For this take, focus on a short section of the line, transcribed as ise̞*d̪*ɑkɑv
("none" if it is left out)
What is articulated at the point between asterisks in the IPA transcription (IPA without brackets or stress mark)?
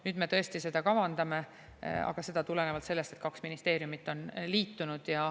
d̪